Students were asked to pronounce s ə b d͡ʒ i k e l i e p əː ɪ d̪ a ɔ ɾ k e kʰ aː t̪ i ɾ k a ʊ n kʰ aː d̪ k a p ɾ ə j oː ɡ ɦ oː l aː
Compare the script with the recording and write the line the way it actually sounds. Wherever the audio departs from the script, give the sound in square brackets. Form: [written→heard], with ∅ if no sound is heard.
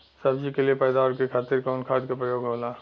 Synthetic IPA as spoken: s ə b d͡ʒ i k e l i e p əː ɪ d̪ a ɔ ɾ k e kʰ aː t̪ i ɾ k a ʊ n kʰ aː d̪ k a p ɾ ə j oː ɡ ɦ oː l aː